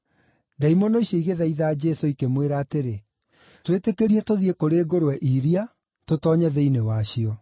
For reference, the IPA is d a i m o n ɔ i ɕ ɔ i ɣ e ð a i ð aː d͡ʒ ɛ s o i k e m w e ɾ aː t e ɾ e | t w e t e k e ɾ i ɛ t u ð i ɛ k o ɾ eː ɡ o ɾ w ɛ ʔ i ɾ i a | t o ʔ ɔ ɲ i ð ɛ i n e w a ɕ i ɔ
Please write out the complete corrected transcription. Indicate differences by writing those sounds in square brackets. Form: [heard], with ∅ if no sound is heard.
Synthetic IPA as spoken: d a i m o n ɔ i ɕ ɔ i ɣ e ð a i ð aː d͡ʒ ɛ s o i k e m w e ɾ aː t e ɾ e | t w e t e k e ɾ i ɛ t [o] ð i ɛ k o ɾ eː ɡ o ɾ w ɛ ʔ i ɾ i a | t o [t] ɔ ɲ [ɛ] ð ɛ i n e w a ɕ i ɔ